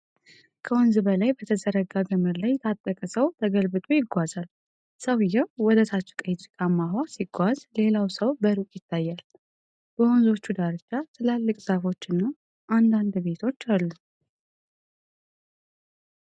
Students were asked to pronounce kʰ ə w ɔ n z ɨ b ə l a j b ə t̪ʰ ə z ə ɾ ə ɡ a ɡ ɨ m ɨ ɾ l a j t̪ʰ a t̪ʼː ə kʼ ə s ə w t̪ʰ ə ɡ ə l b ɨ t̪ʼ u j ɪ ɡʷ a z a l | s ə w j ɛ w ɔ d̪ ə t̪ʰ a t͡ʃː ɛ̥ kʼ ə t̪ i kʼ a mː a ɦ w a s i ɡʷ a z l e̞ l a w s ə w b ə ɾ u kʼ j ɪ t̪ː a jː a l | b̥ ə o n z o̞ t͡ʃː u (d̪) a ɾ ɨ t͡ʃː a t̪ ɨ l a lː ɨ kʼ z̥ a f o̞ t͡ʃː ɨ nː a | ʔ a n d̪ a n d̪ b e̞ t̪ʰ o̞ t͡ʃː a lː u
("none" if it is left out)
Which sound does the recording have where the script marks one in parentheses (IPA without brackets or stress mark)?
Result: d̪